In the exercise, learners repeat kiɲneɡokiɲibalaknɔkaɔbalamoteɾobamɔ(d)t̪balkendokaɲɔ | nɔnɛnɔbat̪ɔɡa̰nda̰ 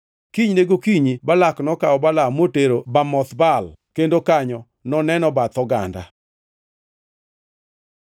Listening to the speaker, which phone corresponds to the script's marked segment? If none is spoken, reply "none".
none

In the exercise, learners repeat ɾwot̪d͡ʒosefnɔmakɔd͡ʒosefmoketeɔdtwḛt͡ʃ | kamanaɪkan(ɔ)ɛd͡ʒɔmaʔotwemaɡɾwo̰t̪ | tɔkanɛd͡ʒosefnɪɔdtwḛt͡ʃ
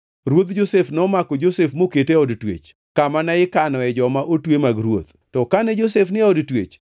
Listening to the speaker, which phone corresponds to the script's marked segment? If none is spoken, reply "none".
ɔ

